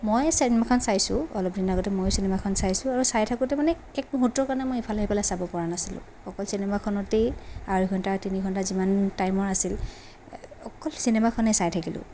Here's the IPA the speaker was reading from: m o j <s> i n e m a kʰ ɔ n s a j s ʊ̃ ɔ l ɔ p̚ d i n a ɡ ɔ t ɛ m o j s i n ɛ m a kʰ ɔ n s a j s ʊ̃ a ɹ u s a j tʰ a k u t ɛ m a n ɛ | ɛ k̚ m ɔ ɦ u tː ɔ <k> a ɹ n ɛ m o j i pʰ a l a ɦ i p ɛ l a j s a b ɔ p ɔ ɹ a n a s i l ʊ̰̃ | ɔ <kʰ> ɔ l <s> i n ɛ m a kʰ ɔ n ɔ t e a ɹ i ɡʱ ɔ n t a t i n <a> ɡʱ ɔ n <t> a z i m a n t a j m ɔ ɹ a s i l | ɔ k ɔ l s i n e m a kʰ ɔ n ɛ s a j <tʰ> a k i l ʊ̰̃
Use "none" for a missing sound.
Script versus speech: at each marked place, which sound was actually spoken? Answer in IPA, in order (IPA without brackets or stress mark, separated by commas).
s, k, k, s, i, t, tʰ